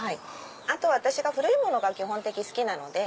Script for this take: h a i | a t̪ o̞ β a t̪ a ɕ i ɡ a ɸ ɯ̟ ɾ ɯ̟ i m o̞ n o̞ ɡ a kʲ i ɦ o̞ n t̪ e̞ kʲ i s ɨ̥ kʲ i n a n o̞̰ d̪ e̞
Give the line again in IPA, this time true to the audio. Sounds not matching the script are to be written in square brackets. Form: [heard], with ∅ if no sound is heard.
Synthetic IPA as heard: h a i | a t̪ o̞ β a t̪ a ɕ i ɡ a ɸ ɯ̟ ɾ ɯ̟ i m o̞ n o̞ ɡ a kʲ i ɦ [õ̞] n t̪ e̞ kʲ i s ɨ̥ kʲ i n a n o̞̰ d̪ e̞